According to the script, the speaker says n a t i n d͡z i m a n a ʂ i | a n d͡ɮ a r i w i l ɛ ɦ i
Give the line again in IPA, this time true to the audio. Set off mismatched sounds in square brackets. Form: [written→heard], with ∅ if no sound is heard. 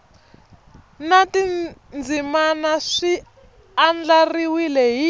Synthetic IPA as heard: n a t i n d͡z i m a n a ʂ i | a n d͡ɮ a r i w i l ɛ ɦ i